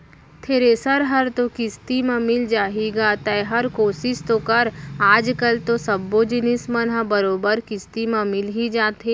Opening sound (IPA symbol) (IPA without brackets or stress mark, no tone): t̪ʰ